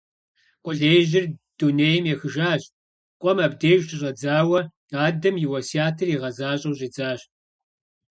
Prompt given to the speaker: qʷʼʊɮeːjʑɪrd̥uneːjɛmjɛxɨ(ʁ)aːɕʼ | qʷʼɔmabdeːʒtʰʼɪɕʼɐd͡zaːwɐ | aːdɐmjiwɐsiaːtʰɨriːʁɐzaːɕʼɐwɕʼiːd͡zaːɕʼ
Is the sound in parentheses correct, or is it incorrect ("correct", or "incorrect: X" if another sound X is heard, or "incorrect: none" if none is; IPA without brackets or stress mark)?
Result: incorrect: ʒ